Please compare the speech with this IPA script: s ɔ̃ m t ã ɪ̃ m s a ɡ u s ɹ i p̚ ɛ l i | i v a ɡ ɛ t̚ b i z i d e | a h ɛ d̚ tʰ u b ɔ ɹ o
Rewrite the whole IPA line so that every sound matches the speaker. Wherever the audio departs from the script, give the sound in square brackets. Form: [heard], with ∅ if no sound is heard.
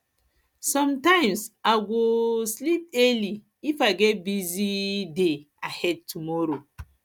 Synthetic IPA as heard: s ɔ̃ m t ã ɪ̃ m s a ɡ [o] s [l] i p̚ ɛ l i | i [f] a ɡ ɛ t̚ b i z i d e | a h ɛ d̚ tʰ u [m] ɔ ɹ o